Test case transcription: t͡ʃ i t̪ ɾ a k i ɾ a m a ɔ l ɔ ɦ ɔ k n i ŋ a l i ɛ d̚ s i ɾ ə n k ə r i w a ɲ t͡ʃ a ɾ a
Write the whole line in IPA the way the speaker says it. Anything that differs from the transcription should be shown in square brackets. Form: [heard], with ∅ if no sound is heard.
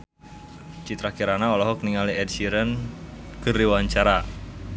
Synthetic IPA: t͡ʃ i t̪ ɾ a k i ɾ a [n] a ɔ l ɔ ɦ ɔ k n i ŋ a l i ɛ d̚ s i ɾ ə n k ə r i w a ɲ t͡ʃ a ɾ a